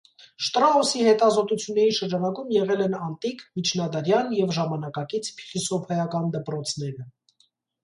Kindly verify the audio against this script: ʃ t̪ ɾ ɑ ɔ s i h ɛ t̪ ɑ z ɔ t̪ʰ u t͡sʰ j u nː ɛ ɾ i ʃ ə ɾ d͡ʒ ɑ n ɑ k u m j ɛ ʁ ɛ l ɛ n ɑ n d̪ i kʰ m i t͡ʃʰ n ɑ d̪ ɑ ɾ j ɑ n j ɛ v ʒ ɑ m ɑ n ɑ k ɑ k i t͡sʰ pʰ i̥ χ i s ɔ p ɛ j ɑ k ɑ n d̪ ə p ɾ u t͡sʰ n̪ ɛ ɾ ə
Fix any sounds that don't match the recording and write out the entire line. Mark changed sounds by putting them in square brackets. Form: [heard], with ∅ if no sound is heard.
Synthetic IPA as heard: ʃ t̪ ɾ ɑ ɔ s i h ɛ t̪ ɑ z ɔ [t̪] u t͡sʰ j u nː ɛ ɾ i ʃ ə ɾ d͡ʒ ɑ n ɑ k u m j ɛ ʁ ɛ l ɛ n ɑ n [t̪] i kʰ m i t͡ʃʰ n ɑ d̪ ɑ ɾ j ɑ n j ɛ v ʒ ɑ m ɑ n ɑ k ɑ k i t͡sʰ pʰ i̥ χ i s ɔ [pʰ] ɛ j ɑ k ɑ n d̪ ə p ɾ [ɔ] t͡sʰ n̪ ɛ ɾ ə